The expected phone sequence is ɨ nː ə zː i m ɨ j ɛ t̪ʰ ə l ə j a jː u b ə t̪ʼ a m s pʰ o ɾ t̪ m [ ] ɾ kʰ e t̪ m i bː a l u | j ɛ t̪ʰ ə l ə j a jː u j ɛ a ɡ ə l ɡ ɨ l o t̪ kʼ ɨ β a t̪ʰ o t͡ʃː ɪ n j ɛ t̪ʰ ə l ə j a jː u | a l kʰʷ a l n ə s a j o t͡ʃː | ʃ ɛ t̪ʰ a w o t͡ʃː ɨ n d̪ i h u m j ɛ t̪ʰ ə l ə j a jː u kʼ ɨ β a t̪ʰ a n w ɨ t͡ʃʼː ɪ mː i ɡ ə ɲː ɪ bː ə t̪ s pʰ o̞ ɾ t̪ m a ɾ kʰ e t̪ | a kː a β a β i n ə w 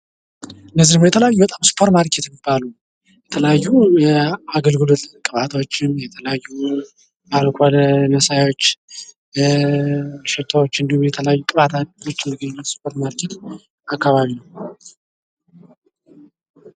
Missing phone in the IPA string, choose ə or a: a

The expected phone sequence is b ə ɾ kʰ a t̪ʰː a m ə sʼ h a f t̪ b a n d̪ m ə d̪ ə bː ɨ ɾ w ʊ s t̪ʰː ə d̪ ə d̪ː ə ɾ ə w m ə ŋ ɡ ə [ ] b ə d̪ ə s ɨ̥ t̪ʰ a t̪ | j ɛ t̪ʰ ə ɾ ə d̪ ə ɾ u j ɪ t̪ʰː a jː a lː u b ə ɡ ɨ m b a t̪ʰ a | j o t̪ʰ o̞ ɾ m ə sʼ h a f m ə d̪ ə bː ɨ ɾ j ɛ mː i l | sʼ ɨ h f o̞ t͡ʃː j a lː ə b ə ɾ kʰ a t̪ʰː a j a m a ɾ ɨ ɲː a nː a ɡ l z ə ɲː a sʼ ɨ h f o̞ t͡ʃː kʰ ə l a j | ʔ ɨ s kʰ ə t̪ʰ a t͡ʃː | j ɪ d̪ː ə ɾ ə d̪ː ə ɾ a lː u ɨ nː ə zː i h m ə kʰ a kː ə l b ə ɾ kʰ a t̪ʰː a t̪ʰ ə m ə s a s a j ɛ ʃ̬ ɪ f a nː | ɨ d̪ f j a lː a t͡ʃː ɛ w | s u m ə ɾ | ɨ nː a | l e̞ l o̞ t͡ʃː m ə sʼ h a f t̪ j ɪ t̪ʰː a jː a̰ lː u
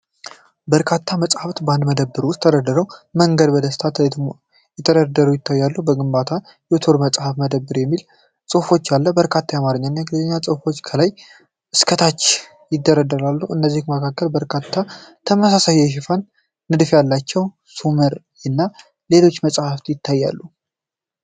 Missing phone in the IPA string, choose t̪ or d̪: d̪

